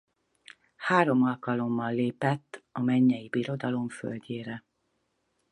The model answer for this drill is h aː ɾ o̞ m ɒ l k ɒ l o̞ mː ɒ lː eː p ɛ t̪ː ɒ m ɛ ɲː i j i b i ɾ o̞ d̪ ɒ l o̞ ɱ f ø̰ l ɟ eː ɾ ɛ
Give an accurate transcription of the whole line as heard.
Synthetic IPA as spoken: h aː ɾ o̞ m ɒ l k ɒ l o̞ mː ɒ lː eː p ɛ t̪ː ɒ m ɛ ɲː ɛ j i b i ɾ o̞ d̪ ɒ l o̞ ɱ f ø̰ l ɟ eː ɾ ɛ